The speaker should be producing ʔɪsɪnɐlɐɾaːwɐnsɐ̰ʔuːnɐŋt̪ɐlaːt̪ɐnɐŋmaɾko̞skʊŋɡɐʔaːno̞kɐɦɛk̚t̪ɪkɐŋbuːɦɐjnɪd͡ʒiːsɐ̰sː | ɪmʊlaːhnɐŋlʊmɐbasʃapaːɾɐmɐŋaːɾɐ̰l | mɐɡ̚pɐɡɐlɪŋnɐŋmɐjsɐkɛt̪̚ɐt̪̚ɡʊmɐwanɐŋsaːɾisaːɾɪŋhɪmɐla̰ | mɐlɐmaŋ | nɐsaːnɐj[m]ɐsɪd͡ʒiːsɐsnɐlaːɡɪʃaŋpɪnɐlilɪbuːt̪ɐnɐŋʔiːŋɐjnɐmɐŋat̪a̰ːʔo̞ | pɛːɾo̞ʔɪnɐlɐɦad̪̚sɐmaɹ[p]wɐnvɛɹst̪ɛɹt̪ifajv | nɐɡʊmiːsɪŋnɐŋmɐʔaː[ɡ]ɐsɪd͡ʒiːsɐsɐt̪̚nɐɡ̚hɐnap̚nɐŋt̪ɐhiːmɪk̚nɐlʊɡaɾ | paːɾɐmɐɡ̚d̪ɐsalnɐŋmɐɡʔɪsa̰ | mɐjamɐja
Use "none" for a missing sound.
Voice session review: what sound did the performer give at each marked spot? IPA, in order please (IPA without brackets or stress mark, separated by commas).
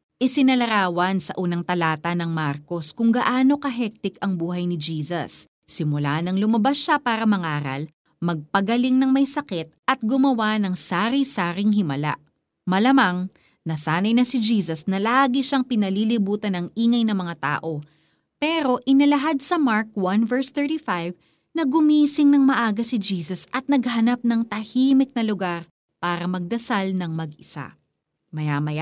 n, k, ɡ